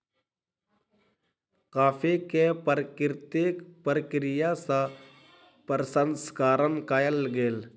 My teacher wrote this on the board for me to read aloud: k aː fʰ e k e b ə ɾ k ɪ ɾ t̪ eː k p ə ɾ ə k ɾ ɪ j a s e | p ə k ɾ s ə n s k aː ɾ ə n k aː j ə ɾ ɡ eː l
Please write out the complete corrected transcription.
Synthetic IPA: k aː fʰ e k e p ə ɾ k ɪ ɾ t̪ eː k p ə ɾ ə k ɾ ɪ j a s a | p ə ɾ s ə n s k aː ɾ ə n k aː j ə l ɡ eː l

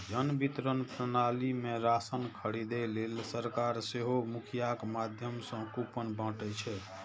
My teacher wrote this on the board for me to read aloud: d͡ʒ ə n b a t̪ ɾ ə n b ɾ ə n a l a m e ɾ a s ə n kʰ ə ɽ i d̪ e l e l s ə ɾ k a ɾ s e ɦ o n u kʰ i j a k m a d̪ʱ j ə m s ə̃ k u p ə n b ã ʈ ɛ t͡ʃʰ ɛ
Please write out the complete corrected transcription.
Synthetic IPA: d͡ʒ ə n b i t̪ ɾ ə n p ɾ ə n a l i m e ɾ a s ə n kʰ ə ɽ i d̪ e l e l s ə ɾ k a ɾ s e ɦ o m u kʰ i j a k m a d̪ʱ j ə m s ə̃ k u p ə n b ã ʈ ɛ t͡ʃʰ ɛ

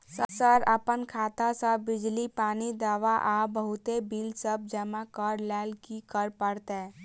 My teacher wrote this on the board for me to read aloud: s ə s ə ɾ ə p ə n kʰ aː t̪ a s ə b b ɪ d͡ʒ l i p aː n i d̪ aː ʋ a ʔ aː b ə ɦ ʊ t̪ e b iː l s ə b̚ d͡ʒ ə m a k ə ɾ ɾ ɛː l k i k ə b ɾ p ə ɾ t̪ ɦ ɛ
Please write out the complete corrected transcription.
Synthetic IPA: s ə s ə ɾ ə p ə n kʰ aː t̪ a s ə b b ɪ d͡ʒ l i p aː n i d̪ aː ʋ a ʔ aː b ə ɦ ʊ t̪ e b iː l s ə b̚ d͡ʒ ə m a k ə ɾ l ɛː l k i k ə ɾ p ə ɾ t̪ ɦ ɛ

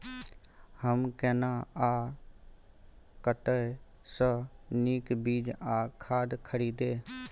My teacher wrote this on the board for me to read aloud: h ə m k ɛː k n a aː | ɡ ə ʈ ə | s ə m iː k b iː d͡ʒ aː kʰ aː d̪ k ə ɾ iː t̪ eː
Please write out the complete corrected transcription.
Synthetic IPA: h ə m k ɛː n a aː | k ə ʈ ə | s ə n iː k b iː d͡ʒ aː kʰ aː d̪ kʰ ə ɾ iː d̪ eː

